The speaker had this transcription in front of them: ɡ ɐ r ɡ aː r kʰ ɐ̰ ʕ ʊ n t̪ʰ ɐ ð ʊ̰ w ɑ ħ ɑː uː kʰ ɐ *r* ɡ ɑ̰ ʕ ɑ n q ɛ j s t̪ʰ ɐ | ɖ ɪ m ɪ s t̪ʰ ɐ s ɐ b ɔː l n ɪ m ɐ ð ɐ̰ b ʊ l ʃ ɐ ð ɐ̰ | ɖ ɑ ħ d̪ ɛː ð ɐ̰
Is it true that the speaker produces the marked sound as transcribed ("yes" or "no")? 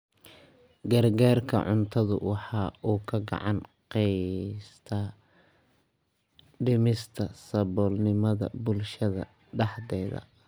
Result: no